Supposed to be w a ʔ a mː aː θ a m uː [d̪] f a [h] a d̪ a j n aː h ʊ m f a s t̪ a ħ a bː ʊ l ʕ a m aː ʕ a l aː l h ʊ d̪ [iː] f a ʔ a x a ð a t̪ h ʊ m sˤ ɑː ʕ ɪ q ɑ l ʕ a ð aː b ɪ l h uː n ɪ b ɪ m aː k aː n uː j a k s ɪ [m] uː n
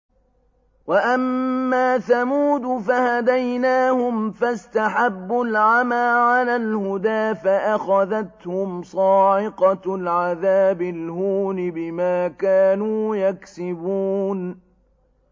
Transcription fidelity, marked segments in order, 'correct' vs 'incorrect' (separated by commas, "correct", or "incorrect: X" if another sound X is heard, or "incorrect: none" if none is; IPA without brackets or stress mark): correct, correct, incorrect: aː, incorrect: b